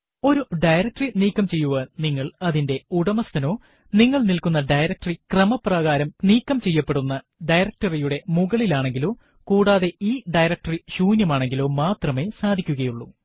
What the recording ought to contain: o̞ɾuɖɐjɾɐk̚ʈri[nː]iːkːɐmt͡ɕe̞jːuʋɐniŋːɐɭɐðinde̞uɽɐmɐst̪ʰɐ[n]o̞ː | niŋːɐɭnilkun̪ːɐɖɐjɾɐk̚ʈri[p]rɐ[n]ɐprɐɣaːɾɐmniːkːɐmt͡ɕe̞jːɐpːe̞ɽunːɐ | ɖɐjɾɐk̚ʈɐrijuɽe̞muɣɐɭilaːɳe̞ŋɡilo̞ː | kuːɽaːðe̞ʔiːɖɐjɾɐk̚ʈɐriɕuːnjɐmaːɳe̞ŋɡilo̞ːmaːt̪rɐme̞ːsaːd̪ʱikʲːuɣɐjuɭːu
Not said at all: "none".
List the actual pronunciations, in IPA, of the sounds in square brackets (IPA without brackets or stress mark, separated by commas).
n, n, k, m